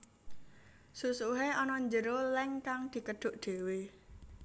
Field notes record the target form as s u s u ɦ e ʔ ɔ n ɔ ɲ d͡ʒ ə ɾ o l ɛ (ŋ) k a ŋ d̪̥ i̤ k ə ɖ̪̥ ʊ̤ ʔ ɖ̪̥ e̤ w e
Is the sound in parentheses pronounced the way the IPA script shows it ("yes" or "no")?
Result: yes